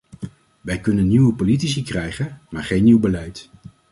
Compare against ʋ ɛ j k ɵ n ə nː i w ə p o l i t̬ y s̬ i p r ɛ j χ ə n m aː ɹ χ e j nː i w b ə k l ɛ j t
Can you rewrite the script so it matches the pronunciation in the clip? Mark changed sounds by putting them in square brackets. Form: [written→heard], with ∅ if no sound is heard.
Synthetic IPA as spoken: ʋ ɛ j k ɵ n ə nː i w ə p o l i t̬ [y→i] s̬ i [p→k] r ɛ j χ ə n m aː ɹ χ e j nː i w b ə [k→∅] l ɛ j t